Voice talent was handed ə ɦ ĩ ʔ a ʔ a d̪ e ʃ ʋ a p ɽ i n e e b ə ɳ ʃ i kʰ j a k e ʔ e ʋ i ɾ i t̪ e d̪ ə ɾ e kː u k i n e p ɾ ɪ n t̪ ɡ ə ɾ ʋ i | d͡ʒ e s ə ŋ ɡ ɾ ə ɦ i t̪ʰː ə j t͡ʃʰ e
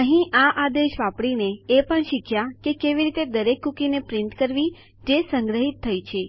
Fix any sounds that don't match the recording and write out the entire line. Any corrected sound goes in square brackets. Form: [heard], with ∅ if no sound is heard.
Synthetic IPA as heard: ə ɦ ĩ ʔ a ʔ a d̪ e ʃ ʋ a p ɽ i n e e [p] ə ɳ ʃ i kʰ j a k e [k] e ʋ i ɾ i t̪ e d̪ ə ɾ e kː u k i n e p ɾ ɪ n t̪ [k] ə ɾ ʋ i | d͡ʒ e s ə ŋ ɡ ɾ ə ɦ i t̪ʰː ə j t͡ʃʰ e